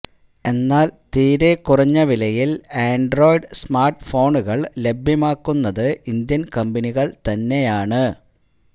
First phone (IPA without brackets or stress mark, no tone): e̞